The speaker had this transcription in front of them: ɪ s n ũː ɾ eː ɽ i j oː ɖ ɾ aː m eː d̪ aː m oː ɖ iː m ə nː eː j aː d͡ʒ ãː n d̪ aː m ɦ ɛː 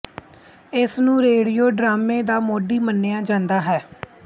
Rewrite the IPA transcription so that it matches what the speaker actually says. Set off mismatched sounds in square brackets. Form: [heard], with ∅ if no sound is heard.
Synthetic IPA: ɪ s n ũː ɾ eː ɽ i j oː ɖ ɾ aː m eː d̪ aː m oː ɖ iː m ə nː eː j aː d͡ʒ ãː n d̪ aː [∅] ɦ ɛː